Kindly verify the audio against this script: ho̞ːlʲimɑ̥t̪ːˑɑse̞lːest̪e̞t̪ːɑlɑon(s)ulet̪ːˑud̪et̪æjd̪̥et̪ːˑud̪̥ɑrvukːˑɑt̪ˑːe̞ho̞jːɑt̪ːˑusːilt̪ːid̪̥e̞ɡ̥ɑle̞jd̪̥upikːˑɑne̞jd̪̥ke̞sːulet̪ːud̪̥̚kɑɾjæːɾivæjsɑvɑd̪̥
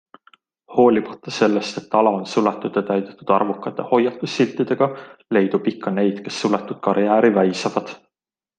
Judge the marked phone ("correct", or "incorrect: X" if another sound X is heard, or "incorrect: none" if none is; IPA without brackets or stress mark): correct